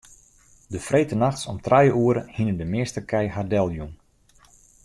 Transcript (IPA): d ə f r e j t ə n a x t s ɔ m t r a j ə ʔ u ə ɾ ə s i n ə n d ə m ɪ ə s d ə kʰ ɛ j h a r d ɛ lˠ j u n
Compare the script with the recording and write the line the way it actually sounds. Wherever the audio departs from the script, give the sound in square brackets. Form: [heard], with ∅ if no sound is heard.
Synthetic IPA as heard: d ə f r e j t ə n a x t s ɔ m t r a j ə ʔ u ə ɾ ə [h] i n ə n d ə m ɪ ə s [t] ə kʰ ɛ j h a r d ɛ lˠ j u n